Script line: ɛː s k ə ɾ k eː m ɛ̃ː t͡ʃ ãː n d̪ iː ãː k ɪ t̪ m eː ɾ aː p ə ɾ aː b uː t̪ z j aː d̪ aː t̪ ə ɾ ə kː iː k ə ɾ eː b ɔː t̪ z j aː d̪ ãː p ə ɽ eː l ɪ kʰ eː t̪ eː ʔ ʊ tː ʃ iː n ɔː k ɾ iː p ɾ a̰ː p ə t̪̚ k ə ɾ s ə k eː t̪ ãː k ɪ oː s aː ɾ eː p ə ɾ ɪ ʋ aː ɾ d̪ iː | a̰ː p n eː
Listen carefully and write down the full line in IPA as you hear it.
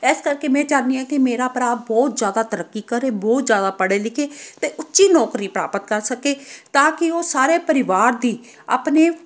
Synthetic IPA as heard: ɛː s k ə ɾ k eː m ɛ̃ː t͡ʃ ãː n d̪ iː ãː k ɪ m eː ɾ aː p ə ɾ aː b ɔː t̪ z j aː d̪ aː t̪ ə ɾ ə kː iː k ə ɾ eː b ɔː t̪ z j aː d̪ aː p ə ɽ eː l ɪ kʰ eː t̪ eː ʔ ʊ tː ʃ iː n ɔː k ɾ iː p ɾ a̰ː p ə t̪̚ k ə ɾ s ə k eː t̪ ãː k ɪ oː s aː ɾ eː p ə ɾ ɪ ʋ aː ɾ d̪ iː | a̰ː p n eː

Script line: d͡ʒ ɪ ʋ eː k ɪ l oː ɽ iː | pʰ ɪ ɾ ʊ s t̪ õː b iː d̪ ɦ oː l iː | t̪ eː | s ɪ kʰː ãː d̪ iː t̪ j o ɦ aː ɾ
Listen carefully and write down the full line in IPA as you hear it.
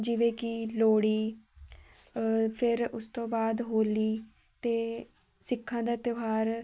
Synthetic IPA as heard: d͡ʒ ɪ ʋ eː k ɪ l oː ɽ iː | pʰ ɪ ɾ ʊ s t̪ õː b aː d̪ ɦ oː l iː | t̪ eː | s ɪ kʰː ãː d̪ aː t̪ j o ɦ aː ɾ

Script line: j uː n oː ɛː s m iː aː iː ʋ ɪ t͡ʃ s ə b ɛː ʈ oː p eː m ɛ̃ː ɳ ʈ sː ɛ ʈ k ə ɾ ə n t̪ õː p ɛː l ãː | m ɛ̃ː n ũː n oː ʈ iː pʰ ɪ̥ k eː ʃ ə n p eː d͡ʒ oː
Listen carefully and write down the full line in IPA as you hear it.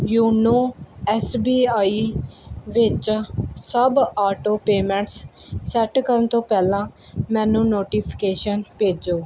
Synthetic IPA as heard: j uː n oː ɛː s b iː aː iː ʋ ɪ t͡ʃ s ə b aː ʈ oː p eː m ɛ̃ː ɳ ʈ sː ɛ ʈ k ə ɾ ə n t̪ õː p ɛː l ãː | m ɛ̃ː n ũː n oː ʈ iː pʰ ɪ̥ k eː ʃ ə n p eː d͡ʒ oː

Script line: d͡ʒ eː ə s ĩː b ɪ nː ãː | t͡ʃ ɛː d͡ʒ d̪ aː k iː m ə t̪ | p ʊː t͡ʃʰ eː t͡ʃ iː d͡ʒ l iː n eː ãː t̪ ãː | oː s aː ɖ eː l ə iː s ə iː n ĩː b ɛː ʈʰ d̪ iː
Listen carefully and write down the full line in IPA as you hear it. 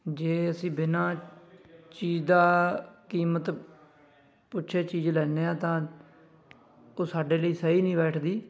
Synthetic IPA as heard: d͡ʒ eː ə s ĩː b ɪ n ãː | t͡ʃ iː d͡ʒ d̪ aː k iː m ə t̪ | p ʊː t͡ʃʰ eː t͡ʃ iː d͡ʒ l ɛː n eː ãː t̪ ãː | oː s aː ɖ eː l ə iː s ə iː n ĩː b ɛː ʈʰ d̪ iː

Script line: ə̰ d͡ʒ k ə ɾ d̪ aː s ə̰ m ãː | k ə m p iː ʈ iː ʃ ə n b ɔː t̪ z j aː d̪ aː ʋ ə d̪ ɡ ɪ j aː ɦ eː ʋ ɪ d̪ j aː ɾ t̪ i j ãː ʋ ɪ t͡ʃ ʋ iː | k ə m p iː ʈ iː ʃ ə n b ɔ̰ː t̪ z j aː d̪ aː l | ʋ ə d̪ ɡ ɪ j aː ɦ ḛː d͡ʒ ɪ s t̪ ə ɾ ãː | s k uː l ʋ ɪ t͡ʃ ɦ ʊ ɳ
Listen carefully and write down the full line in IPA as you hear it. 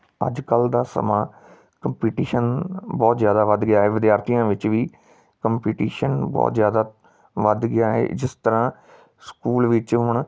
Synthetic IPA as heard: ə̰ d͡ʒ k ə l d̪ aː s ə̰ m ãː | k ə m p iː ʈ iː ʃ ə n b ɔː t̪ z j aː d̪ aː ʋ ə d̪ ɡ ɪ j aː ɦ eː ʋ ɪ d̪ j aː ɾ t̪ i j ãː ʋ ɪ t͡ʃ ʋ iː | k ə m p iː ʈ iː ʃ ə n b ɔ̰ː t̪ z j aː d̪ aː | ʋ ə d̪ ɡ ɪ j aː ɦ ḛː d͡ʒ ɪ s t̪ ə ɾ ãː | s k uː l ʋ ɪ t͡ʃ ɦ ʊ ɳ

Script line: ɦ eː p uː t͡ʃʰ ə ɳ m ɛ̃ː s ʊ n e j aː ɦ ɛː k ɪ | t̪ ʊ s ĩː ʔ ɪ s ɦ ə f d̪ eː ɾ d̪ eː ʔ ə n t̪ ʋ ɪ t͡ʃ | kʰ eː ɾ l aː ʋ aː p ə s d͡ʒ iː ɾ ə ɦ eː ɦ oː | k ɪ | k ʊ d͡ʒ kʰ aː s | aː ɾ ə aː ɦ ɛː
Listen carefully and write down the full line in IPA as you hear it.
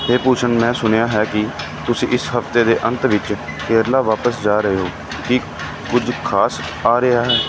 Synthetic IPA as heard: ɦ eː p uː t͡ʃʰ ə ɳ m ɛ̃ː s ʊ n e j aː ɦ ɛː k ɪ | t̪ ʊ s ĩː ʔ ɪ s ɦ ə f t̪ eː d̪ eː ʔ ə n t̪ ʋ ɪ t͡ʃ | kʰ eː ɾ l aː ʋ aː p ə s d͡ʒ aː ɾ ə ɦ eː ɦ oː | k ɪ | k ʊ d͡ʒ kʰ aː s | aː ɾ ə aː ɦ ɛː

